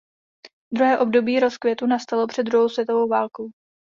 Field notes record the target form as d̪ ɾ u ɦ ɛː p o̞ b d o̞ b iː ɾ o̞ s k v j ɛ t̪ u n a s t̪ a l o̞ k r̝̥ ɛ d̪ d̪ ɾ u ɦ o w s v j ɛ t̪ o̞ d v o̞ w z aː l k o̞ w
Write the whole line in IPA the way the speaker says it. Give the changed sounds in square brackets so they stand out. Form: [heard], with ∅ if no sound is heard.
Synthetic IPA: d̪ ɾ u ɦ ɛː [ʔ] o̞ b d o̞ b iː ɾ o̞ s k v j ɛ t̪ u n a s t̪ a l o̞ [p] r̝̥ ɛ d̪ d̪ ɾ u ɦ o w s v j ɛ t̪ o̞ [∅] v o̞ w [v] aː l k o̞ w